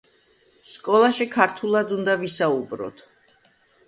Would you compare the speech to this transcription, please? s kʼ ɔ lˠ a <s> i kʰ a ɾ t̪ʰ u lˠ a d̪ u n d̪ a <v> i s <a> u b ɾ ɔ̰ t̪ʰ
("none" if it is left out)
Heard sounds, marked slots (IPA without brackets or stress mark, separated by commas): ʃ, v, a